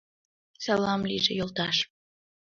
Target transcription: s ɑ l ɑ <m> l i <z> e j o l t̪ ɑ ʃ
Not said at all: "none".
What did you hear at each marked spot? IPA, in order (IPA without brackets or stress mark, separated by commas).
m, ʒ